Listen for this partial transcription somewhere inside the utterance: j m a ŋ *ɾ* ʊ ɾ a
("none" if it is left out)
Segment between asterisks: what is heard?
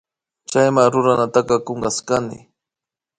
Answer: ɾ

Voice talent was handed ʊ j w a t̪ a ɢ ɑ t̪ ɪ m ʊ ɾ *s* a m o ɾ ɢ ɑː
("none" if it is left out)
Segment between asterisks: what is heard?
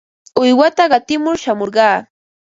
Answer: ʃ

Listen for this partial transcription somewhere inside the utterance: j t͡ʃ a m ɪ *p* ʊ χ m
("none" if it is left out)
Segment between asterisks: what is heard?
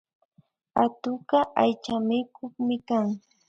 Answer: k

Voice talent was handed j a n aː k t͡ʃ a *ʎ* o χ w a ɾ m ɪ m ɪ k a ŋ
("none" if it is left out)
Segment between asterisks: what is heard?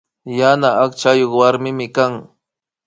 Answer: j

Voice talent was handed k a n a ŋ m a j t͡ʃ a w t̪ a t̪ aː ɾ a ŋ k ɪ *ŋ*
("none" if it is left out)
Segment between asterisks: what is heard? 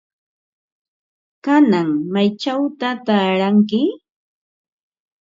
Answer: none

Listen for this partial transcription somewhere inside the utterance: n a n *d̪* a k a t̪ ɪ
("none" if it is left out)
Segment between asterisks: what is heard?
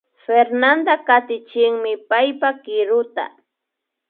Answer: d̪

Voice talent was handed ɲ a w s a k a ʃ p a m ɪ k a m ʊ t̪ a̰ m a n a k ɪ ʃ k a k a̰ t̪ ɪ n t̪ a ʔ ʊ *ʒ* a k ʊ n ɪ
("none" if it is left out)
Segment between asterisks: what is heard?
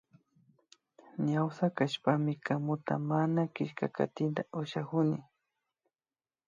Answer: ʃ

